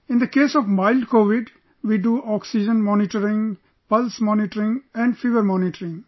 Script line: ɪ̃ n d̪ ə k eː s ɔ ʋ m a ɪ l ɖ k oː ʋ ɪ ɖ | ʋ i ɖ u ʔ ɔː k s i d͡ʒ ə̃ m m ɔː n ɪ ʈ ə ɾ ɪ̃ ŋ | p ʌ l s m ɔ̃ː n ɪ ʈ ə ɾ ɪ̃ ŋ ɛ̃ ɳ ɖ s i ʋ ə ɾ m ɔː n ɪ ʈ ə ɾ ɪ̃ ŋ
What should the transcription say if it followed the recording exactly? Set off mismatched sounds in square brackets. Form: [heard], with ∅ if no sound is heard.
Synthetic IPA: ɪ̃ n d̪ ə k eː s ɔ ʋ m a ɪ l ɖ k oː ʋ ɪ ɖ | ʋ i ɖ u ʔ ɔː k s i d͡ʒ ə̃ [n] m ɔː n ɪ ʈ ə ɾ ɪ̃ ŋ | p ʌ l s m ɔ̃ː n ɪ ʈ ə ɾ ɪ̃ ŋ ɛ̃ ɳ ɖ [f] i ʋ ə ɾ m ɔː n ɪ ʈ ə ɾ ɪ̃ ŋ